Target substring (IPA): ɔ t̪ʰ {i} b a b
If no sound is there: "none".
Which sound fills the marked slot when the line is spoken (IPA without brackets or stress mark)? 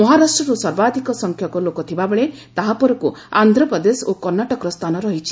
i